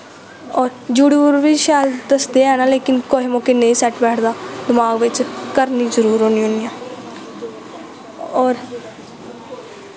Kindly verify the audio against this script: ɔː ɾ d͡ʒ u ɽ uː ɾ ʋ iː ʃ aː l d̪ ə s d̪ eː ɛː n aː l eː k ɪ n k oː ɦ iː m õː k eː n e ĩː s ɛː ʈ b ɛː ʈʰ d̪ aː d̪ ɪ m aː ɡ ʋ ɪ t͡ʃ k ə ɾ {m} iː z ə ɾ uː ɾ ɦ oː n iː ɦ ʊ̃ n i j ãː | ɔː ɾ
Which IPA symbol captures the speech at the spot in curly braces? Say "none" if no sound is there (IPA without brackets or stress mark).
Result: n